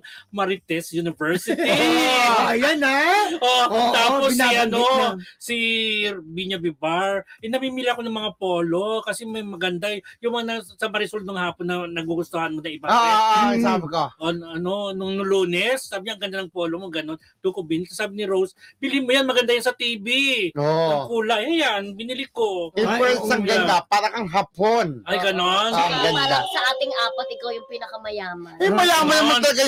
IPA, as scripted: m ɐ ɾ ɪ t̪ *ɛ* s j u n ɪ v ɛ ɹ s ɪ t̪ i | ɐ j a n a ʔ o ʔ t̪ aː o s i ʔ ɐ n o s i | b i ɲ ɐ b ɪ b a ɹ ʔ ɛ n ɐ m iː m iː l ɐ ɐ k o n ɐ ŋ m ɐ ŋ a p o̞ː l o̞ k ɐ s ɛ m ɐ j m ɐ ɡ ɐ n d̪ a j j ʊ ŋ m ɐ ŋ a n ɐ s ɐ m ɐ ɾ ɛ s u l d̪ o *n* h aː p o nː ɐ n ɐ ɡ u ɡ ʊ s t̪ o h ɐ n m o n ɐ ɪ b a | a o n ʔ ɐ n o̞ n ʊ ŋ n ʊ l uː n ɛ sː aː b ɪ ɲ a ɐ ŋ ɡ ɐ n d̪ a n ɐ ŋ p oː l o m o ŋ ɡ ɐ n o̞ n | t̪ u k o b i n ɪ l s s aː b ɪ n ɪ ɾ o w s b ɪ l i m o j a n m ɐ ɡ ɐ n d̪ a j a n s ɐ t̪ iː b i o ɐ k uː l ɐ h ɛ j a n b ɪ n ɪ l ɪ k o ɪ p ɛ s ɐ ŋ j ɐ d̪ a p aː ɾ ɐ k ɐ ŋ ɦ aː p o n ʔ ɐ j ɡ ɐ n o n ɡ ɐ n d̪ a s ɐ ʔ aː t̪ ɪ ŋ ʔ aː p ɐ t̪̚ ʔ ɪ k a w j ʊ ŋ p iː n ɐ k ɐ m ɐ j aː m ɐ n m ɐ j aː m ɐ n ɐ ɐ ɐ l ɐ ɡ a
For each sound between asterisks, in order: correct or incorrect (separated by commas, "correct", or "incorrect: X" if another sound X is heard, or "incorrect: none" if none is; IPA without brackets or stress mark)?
correct, incorrect: ŋ